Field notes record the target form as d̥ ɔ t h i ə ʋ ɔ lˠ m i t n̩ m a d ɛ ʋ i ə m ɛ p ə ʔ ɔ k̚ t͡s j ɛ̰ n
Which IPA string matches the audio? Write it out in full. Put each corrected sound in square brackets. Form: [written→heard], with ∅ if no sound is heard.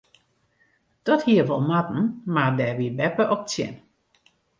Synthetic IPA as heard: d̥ ɔ t h i ə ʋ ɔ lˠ m [i→a] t n̩ m a d ɛ ʋ i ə [m→b] ɛ p ə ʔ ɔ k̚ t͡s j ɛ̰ n